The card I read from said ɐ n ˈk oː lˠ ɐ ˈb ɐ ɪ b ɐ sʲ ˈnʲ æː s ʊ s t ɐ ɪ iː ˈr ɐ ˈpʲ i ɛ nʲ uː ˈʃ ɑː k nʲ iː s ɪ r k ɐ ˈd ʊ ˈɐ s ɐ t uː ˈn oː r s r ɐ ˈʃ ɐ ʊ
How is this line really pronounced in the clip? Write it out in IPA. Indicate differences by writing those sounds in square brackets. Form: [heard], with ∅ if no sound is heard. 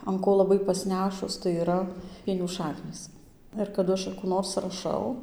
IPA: ɐ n ˈk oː lˠ ɐ ˈb ɐ ɪ [p] ɐ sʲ ˈnʲ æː [ʃ] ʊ s t ɐ ɪ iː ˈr ɐ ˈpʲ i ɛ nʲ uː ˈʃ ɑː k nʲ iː s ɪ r k ɐ ˈd ʊ ˈɐ [ʃ] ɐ [k] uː ˈn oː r s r ɐ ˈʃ ɐ ʊ